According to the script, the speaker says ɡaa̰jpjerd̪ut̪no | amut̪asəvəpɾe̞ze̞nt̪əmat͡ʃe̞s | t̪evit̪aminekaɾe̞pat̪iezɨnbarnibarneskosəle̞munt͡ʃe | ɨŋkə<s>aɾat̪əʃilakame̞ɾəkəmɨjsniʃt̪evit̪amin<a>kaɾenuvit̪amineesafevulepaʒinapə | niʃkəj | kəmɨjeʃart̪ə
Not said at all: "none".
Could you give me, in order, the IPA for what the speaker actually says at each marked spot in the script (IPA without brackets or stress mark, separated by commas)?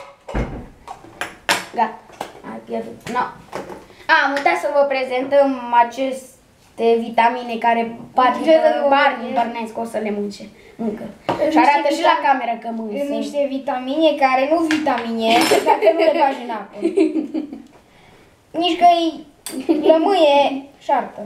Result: ʃ, e